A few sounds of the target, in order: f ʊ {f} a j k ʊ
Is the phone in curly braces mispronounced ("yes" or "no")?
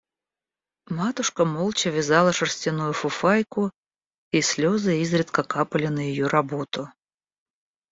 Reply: no